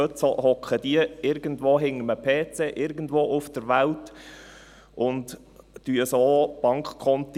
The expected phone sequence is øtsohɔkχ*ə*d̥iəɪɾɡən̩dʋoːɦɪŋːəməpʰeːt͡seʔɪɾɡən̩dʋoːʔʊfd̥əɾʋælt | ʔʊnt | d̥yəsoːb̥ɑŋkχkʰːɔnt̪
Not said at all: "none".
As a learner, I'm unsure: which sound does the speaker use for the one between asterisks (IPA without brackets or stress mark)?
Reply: ə